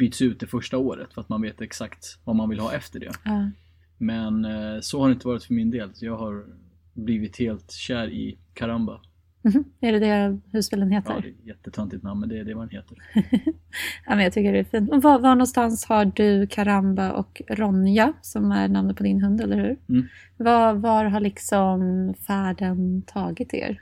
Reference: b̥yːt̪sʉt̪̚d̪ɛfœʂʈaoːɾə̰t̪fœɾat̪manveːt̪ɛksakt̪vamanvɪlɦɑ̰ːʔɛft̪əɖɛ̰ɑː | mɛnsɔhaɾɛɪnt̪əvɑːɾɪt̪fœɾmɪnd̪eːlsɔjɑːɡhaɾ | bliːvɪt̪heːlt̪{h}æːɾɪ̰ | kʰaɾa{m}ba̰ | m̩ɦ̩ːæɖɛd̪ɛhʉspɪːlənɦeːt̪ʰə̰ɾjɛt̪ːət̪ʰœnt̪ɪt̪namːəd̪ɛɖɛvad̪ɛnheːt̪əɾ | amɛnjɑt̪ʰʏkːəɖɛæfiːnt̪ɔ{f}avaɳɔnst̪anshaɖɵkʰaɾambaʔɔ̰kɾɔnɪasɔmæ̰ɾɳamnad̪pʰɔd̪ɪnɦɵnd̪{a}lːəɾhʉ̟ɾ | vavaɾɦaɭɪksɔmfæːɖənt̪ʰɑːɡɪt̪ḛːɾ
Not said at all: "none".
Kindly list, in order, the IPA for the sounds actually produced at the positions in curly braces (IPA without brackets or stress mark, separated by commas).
ɕ, m, v, ɛ